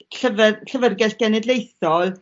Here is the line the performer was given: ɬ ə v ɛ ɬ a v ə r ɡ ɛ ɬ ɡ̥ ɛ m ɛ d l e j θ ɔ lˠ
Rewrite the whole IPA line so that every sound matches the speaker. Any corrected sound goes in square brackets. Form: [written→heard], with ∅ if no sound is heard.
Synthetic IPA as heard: ɬ ə v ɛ ɬ [a→ə] v ə r ɡ ɛ ɬ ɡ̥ ɛ [m→n] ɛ d l e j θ ɔ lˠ